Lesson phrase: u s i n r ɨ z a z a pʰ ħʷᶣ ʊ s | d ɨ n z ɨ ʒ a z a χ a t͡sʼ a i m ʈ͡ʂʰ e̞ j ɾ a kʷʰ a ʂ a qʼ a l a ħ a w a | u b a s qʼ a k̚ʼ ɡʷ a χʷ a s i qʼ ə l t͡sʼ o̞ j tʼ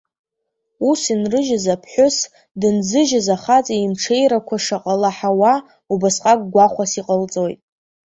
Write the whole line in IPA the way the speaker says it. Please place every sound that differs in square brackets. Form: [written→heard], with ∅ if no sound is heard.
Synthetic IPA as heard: u s i n r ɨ [z→ʒ] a z a pʰ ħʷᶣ ʊ s | d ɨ n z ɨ ʒ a z a χ a t͡sʼ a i m ʈ͡ʂʰ e̞ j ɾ a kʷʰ a ʂ a qʼ a l a ħ a w a | u b a s qʼ a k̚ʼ ɡʷ a χʷ a s i qʼ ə l t͡sʼ o̞ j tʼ